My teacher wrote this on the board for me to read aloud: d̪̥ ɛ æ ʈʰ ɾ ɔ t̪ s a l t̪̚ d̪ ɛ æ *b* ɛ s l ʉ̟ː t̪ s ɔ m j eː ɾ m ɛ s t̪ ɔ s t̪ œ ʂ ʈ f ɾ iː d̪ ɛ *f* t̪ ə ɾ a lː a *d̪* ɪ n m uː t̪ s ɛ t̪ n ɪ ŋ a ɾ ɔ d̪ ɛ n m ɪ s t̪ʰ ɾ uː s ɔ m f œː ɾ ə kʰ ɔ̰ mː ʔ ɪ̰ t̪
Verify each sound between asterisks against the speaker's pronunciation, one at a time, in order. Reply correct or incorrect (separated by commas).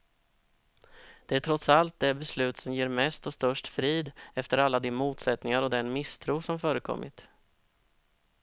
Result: correct, correct, correct